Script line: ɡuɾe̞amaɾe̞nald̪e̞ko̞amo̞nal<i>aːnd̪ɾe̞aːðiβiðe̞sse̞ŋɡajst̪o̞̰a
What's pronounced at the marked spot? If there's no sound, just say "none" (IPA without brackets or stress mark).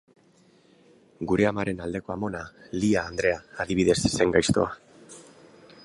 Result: i